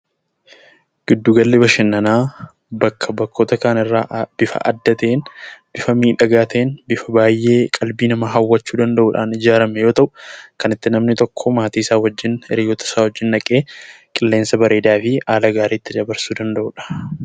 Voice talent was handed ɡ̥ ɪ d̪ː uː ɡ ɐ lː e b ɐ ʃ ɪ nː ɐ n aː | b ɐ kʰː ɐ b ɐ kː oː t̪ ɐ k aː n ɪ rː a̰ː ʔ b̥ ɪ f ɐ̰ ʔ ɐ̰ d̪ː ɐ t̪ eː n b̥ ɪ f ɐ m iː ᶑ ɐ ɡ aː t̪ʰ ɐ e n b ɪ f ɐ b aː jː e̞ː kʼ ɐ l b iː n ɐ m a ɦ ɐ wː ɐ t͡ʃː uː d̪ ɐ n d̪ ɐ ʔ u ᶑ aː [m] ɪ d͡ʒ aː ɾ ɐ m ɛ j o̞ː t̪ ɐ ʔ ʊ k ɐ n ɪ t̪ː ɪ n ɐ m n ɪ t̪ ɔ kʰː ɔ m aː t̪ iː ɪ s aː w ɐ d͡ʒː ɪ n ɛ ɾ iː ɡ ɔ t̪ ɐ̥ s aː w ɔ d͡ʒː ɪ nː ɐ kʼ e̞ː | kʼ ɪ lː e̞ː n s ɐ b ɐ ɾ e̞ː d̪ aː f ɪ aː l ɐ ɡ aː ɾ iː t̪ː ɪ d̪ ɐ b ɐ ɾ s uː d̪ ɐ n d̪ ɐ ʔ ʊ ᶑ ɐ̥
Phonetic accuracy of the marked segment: incorrect: n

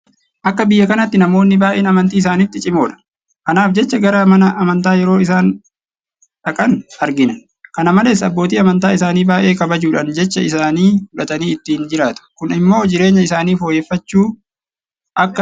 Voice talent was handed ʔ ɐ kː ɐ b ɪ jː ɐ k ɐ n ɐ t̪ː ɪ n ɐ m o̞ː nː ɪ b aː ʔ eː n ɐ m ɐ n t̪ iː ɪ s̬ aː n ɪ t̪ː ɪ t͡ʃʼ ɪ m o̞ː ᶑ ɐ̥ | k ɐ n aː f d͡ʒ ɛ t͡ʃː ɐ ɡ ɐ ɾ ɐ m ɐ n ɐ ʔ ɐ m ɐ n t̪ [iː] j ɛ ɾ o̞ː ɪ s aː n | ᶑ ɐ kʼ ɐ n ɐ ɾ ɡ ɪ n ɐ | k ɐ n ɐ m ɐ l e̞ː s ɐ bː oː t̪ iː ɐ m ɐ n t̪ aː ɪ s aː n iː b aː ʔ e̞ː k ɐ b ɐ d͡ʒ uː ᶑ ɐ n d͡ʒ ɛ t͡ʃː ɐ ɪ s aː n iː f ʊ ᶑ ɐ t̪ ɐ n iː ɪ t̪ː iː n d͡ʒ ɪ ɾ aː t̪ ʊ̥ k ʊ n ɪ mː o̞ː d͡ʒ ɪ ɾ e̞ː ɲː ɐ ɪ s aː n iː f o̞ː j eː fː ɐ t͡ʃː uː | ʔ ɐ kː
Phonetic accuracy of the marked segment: incorrect: aː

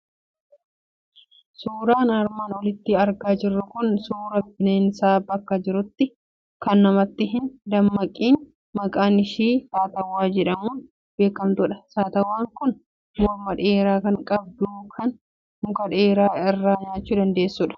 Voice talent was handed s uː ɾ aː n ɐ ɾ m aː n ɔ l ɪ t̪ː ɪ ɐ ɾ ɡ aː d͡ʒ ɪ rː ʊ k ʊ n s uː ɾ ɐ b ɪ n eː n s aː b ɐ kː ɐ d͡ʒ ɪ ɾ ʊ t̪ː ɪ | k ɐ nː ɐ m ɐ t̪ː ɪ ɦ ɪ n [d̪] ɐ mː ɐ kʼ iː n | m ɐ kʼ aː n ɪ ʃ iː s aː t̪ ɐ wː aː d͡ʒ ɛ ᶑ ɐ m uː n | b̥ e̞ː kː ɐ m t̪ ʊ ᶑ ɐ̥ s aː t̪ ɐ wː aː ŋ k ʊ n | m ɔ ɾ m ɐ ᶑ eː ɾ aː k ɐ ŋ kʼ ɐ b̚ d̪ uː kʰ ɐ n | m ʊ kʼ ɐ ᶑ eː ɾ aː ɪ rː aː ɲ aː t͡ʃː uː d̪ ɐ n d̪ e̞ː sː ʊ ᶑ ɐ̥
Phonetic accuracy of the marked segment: correct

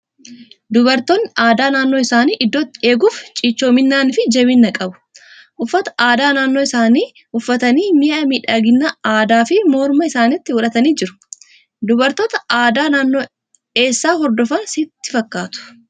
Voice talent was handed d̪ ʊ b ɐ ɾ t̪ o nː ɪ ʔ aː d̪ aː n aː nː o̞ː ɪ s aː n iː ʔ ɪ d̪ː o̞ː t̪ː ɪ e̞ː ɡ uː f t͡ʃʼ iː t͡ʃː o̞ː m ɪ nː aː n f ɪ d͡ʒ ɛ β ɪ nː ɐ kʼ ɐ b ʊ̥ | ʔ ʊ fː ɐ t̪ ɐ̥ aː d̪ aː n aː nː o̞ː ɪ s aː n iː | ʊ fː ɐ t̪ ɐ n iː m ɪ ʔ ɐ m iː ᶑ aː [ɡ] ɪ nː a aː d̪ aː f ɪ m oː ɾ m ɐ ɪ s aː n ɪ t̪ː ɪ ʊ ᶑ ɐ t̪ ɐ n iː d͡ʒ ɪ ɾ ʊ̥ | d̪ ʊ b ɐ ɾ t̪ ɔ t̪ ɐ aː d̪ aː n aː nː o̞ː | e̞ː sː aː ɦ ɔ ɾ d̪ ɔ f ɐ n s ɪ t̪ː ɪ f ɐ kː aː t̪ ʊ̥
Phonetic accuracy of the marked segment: correct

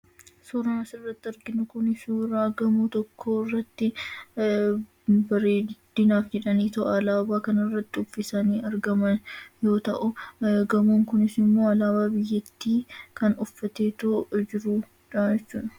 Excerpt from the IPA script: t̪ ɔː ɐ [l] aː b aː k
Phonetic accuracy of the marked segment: correct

